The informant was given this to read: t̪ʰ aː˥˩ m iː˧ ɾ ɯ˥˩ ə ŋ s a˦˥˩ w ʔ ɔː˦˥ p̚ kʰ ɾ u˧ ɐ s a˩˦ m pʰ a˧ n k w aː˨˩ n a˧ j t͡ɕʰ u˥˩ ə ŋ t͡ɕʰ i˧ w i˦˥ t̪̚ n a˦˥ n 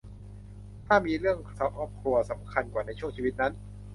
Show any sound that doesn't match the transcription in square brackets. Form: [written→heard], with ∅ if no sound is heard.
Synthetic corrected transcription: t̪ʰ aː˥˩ m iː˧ ɾ ɯ˥˩ ə ŋ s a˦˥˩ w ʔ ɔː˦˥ p̚ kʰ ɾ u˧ ɐ s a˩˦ m [pʰ→kʰ] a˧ n k w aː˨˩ n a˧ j t͡ɕʰ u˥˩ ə ŋ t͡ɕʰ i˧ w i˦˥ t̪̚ n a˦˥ n